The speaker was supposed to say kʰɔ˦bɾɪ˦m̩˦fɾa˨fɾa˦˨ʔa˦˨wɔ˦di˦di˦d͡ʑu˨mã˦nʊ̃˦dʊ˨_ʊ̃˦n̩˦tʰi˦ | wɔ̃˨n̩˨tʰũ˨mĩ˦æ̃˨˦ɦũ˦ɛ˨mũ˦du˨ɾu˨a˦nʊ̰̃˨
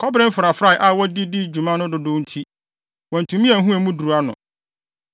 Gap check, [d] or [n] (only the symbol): d